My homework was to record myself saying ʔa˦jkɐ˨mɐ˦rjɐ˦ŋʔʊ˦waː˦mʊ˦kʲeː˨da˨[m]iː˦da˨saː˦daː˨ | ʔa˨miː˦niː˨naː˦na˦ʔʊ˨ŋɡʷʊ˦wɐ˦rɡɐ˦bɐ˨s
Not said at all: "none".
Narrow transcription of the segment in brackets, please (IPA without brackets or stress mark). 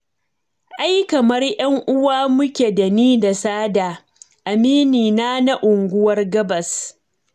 n